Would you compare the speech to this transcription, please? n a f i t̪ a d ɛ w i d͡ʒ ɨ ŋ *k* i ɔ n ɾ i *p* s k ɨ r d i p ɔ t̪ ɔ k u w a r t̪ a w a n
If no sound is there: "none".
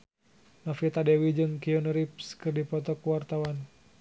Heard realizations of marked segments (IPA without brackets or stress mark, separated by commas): k, p